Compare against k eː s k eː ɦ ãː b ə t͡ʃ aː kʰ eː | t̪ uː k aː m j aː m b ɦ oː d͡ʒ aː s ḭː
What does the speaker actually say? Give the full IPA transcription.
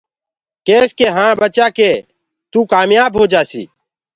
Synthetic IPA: k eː s k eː ɦ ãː b ə t͡ʃ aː k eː | t̪ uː k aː m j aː b ɦ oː d͡ʒ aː s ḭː